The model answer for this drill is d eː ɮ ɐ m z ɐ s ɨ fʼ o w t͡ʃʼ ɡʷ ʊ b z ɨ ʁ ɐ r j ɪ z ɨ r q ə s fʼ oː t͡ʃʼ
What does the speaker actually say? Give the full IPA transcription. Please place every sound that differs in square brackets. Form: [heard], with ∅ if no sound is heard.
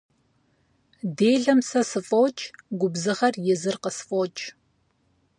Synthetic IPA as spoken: d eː ɮ ɐ m [s] ɐ s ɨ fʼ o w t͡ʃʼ ɡʷ ʊ b z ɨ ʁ ɐ r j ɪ z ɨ r q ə s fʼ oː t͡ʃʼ